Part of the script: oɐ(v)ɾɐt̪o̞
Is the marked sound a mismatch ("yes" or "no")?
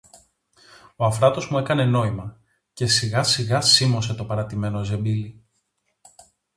yes